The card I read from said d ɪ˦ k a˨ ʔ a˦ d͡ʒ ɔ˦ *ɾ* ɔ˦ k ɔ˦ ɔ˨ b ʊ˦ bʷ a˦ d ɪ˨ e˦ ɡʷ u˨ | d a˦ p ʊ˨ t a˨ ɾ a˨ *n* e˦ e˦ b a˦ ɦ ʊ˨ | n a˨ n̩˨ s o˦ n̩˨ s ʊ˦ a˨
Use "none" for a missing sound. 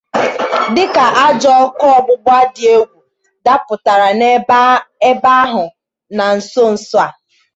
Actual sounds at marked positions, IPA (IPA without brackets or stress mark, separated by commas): none, n